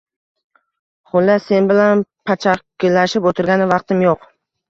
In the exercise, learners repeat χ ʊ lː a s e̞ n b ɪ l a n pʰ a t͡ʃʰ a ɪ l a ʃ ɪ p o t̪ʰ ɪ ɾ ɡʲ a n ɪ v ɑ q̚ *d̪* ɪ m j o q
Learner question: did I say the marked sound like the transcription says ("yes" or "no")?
no